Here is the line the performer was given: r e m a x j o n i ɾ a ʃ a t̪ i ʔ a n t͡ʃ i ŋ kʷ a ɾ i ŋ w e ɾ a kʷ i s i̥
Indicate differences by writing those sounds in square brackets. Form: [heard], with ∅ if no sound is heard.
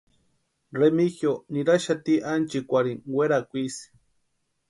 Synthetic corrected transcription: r e m [i] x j o n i ɾ a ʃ a t̪ i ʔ a n t͡ʃ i [∅] kʷ a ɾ i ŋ w e ɾ a kʷ i s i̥